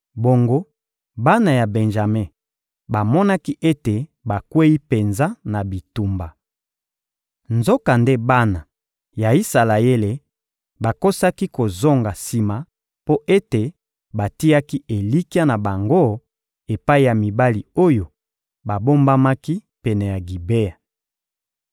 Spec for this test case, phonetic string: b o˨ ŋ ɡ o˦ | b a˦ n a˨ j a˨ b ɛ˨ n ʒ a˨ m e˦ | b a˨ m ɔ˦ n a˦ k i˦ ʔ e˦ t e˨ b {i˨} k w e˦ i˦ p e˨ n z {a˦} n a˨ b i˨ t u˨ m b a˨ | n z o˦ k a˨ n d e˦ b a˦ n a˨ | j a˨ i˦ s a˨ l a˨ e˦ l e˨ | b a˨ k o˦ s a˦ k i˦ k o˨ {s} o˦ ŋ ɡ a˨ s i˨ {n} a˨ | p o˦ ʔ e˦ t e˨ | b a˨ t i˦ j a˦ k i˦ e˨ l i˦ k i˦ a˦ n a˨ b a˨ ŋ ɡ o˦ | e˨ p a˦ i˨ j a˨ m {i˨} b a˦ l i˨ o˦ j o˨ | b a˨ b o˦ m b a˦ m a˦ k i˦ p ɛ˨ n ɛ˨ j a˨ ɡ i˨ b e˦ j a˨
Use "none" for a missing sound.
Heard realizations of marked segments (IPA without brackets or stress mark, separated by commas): a˨, a˦, z, m, i˨